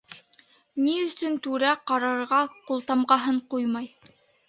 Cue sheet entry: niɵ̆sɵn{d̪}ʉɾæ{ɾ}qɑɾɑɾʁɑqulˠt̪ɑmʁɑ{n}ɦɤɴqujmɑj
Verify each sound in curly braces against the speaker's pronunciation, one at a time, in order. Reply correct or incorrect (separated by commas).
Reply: incorrect, incorrect, incorrect